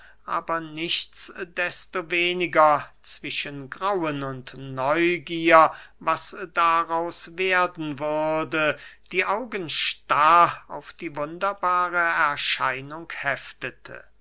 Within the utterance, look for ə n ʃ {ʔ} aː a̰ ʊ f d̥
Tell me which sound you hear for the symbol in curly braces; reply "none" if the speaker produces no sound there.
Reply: t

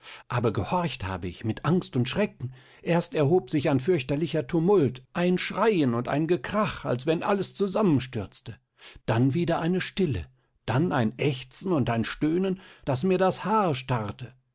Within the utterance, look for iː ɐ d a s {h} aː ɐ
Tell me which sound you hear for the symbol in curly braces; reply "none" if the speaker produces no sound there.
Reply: h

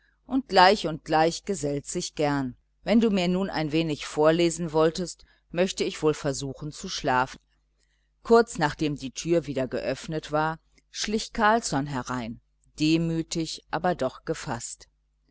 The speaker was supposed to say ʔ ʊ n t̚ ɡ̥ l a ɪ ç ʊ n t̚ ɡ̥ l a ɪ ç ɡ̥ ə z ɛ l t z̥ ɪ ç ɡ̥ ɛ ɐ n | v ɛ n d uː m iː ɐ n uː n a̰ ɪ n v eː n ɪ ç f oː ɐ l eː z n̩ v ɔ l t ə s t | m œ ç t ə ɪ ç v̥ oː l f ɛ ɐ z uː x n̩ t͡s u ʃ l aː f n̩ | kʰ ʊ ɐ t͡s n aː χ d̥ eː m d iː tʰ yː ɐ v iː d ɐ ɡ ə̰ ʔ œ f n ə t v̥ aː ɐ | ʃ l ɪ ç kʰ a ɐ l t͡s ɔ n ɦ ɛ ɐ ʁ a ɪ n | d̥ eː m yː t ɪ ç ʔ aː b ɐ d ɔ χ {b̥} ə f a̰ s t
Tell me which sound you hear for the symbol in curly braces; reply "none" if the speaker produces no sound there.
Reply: ɡ̥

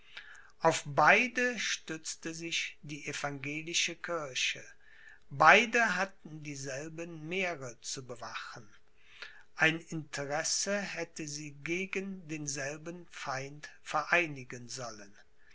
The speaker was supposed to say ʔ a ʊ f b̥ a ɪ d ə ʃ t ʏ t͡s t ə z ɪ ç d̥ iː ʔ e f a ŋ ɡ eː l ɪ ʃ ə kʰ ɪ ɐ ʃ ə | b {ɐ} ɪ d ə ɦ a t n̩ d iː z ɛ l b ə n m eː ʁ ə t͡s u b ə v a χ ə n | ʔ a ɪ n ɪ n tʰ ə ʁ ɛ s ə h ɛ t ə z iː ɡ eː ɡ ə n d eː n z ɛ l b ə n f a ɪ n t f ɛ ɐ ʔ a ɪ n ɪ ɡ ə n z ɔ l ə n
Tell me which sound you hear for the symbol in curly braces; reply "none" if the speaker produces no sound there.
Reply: a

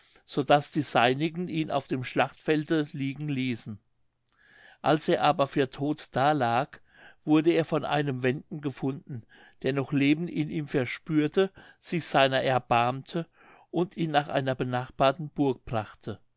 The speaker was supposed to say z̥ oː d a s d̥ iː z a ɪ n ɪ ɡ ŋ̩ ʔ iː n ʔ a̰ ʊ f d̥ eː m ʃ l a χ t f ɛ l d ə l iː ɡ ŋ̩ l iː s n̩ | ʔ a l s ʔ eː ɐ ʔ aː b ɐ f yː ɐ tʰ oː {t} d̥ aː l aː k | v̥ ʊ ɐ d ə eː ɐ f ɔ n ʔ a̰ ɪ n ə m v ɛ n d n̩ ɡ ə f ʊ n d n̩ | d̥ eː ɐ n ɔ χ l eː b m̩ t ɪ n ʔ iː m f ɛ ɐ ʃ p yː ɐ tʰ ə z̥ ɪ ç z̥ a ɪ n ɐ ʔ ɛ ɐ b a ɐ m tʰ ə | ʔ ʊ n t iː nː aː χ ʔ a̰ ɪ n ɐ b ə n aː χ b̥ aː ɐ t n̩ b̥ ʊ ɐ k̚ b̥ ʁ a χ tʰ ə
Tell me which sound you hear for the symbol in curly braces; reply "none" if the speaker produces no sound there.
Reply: t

